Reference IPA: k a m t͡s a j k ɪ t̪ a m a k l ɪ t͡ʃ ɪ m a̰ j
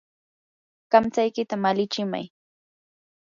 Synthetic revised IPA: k a m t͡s a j k ɪ t̪ a m a l ɪ t͡ʃ ɪ m a̰ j